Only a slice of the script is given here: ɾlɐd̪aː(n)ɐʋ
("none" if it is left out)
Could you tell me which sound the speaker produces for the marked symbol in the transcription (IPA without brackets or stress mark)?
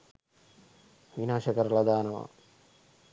n